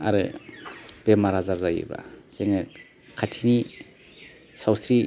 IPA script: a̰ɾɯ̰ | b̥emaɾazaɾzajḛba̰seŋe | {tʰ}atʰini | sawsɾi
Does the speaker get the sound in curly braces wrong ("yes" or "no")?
yes